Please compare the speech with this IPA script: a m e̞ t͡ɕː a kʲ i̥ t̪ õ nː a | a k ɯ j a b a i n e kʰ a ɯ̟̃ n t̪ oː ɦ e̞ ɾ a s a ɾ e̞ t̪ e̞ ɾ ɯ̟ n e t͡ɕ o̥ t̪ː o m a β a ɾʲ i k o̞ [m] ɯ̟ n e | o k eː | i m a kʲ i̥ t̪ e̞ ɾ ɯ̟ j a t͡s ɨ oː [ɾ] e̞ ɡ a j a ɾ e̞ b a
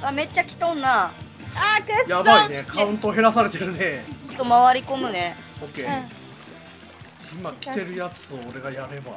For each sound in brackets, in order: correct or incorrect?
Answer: correct, correct

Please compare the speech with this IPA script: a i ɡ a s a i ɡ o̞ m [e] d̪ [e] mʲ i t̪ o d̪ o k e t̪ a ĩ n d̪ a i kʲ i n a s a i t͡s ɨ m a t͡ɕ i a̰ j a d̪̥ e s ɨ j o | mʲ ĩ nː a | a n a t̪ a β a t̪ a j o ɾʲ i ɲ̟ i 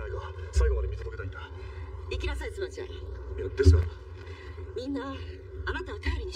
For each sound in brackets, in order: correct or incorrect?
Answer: incorrect, correct

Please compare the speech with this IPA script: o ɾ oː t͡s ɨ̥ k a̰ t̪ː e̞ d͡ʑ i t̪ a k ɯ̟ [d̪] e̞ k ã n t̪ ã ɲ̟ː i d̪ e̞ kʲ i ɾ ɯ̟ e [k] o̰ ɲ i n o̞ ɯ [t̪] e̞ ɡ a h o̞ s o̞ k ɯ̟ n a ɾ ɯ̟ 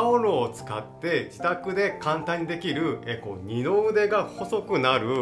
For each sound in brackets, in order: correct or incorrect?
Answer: correct, correct, incorrect

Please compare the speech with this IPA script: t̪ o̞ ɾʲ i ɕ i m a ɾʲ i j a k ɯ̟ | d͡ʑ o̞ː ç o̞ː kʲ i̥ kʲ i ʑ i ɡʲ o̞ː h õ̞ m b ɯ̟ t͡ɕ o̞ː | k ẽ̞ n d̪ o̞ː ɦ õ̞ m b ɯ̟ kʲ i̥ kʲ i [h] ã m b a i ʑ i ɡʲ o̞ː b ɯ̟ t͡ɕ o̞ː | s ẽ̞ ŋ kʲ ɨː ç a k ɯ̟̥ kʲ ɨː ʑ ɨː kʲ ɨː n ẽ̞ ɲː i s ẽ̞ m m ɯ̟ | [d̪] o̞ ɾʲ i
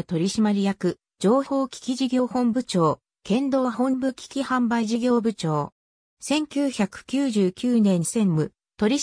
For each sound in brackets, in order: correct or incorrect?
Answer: correct, incorrect

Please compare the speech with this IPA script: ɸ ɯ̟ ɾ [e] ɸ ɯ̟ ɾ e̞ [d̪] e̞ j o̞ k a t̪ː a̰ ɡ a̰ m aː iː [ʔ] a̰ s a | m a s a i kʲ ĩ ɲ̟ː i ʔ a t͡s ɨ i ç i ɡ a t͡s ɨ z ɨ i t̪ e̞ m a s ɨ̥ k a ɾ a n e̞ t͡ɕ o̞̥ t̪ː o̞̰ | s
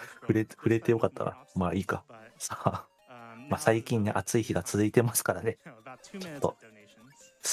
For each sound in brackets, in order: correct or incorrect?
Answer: correct, incorrect, incorrect

